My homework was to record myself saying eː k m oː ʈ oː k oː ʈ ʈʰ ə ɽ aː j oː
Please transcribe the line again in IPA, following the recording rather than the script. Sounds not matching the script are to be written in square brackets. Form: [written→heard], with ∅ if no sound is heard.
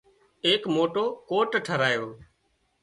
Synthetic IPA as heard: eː k m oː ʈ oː k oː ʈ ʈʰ ə [ɽ→ɾ] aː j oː

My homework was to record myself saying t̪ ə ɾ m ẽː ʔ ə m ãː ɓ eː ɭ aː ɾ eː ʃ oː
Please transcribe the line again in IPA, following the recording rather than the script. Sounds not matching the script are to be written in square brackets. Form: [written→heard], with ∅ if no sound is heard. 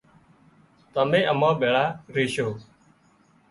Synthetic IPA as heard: t̪ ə [ɾ→∅] m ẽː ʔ ə m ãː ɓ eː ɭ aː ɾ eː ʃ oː

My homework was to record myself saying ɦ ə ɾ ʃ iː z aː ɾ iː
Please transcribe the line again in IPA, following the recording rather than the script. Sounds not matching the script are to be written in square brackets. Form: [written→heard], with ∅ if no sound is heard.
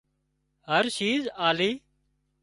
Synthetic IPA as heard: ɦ ə ɾ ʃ iː z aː [ɾ→l] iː

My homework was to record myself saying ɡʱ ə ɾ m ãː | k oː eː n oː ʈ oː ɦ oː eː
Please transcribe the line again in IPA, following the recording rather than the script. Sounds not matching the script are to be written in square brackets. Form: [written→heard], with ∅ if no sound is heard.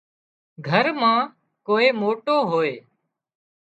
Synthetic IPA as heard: ɡʱ ə ɾ m ãː | k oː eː [n→m] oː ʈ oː ɦ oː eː

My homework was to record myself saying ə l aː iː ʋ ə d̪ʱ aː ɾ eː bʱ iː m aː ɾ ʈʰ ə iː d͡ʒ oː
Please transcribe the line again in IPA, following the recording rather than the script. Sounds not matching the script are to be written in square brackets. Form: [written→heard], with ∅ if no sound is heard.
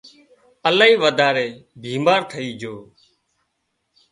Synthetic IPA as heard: ə l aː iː ʋ ə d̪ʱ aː ɾ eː bʱ iː m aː ɾ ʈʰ ə iː d͡ʒ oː

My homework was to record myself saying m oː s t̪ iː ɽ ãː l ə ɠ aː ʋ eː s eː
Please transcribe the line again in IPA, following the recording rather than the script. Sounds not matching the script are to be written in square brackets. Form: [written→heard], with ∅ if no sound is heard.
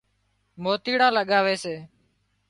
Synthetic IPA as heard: m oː [s→∅] t̪ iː ɽ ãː l ə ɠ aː ʋ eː s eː

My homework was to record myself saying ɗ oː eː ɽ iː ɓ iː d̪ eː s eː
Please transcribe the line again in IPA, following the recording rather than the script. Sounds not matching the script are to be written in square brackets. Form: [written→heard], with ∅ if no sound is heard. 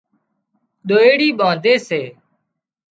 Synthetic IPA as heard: ɗ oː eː ɽ iː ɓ [iː→aː] d̪ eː s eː

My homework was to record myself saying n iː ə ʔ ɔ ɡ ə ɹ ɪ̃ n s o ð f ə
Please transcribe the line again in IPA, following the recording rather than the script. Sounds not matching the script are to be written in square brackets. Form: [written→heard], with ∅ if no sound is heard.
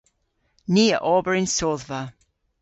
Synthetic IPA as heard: n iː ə ʔ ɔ [ɡ→b] ə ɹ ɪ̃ n s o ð [f→v] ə

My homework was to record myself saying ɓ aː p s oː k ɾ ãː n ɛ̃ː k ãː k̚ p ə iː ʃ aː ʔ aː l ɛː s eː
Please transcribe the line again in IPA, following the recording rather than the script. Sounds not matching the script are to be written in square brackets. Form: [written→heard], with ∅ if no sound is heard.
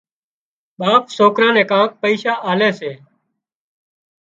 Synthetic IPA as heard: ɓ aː p s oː k ɾ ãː n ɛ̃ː k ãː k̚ p ə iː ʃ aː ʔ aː l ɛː s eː

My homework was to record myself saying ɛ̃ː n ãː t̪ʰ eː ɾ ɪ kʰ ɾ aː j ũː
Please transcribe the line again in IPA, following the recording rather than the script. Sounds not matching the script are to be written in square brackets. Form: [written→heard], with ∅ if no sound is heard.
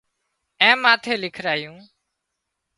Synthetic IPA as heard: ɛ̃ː [n→m] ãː t̪ʰ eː [ɾ→l] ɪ kʰ ɾ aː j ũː

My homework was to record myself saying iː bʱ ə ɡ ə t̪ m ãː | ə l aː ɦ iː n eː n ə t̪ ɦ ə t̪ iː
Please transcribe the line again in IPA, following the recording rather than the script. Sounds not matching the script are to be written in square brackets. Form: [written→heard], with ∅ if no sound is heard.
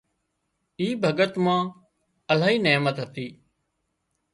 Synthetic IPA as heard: iː bʱ ə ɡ ə t̪ m ãː | ə l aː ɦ iː n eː [n→m] ə t̪ ɦ ə t̪ iː

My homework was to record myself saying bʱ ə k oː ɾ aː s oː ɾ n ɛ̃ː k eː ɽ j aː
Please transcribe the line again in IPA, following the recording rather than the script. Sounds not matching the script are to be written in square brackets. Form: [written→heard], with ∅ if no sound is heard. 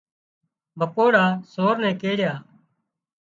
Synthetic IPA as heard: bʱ ə k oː [ɾ→ɽ] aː s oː ɾ n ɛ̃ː k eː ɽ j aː

